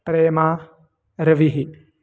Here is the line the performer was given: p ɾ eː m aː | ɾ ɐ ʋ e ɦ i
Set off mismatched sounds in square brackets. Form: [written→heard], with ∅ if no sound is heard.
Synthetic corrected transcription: p ɾ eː m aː | ɾ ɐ ʋ [e→i] ɦ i